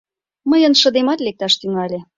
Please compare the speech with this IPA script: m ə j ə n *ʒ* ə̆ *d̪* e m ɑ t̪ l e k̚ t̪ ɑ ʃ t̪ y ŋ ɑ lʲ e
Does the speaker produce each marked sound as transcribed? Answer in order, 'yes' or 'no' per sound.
no, yes

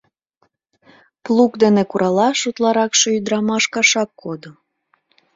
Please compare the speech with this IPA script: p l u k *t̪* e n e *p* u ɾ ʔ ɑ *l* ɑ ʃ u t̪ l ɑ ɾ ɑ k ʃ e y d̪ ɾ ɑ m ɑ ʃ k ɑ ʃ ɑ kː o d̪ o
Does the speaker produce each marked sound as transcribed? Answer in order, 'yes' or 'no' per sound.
no, no, yes

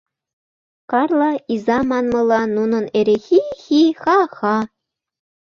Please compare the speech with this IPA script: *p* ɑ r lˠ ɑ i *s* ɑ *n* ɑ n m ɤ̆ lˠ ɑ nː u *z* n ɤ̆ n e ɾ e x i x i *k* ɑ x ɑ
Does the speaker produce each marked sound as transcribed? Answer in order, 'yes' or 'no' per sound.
no, no, no, no, no

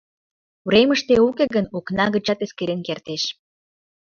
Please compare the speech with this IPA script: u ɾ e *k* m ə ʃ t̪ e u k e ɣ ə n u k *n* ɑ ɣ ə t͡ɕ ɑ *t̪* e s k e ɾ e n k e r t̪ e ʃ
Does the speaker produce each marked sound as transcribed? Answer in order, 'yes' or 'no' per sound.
no, yes, yes

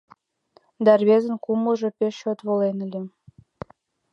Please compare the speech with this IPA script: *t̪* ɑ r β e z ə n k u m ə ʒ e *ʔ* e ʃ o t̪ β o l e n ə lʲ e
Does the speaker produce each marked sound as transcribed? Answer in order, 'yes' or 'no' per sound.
no, no

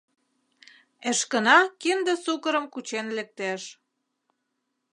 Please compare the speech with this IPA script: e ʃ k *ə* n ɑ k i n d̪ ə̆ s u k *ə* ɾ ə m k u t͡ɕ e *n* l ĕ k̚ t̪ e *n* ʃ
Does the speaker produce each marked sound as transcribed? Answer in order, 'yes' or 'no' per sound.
yes, yes, yes, no

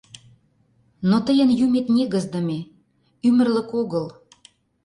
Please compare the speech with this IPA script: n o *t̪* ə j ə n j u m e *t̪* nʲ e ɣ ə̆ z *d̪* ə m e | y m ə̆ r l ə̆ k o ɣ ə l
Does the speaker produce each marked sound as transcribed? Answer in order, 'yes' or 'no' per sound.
yes, yes, yes

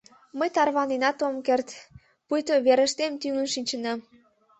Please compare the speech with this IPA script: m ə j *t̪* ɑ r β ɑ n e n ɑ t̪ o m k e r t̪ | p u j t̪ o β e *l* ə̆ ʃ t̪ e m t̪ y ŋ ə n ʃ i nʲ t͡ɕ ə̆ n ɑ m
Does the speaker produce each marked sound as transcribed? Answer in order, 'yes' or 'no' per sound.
yes, no

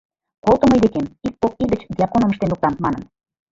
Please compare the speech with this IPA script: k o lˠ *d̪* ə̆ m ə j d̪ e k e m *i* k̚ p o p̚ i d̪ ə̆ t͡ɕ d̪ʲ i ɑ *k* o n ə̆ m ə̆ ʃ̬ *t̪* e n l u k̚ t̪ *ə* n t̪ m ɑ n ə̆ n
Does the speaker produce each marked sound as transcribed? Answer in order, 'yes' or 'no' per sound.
no, yes, yes, yes, no

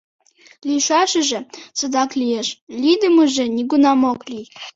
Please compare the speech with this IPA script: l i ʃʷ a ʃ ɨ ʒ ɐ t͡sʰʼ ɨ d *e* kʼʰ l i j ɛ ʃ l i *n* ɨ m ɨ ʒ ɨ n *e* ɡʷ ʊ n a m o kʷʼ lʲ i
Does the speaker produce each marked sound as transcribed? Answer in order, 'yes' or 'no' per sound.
no, no, no

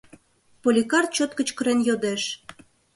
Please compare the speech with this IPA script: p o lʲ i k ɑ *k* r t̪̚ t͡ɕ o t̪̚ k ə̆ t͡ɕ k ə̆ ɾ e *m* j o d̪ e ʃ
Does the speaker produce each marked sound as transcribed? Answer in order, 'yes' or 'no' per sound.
no, no

